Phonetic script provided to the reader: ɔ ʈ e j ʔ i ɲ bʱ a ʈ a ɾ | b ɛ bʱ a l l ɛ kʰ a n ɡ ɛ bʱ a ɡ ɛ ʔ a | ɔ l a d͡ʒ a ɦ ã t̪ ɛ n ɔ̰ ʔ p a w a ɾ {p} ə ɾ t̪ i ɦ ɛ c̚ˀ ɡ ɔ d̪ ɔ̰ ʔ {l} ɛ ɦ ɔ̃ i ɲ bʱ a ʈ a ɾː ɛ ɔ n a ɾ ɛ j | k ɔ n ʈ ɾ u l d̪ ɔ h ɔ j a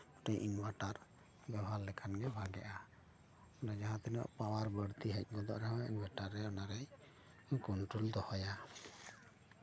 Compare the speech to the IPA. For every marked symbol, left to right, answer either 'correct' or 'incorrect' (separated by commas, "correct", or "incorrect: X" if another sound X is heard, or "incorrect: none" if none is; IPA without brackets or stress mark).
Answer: incorrect: b, incorrect: ɾ